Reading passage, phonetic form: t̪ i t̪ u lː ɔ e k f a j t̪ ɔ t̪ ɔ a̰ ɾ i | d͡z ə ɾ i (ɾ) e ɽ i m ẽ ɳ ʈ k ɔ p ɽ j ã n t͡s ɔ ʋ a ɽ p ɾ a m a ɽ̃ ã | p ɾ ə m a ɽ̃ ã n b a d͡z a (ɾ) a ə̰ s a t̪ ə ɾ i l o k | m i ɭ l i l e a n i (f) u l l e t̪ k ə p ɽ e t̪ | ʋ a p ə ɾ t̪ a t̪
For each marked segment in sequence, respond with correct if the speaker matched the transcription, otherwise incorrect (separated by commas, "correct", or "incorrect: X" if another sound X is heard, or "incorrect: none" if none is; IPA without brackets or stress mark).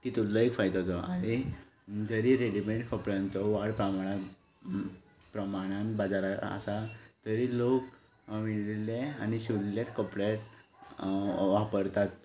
correct, correct, incorrect: ɕ